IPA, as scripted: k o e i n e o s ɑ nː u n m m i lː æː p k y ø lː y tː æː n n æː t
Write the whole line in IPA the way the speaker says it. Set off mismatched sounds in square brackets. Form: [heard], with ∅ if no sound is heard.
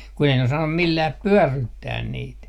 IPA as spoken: k [u] e i n e o s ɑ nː u [∅] m m i lː æː p [p] y ø [rː] y tː æː n n [iː] t